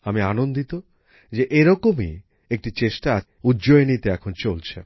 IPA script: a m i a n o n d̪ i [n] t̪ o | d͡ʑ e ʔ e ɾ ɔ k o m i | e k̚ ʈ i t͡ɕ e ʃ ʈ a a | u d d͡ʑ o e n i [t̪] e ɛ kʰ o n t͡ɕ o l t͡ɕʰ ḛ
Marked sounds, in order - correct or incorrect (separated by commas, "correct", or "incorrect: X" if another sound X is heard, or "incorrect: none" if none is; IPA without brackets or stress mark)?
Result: incorrect: none, correct